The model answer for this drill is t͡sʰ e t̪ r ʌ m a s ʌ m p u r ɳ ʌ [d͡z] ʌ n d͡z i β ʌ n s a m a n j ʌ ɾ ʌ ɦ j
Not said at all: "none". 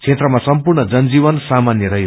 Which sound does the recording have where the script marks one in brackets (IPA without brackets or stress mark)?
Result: d͡z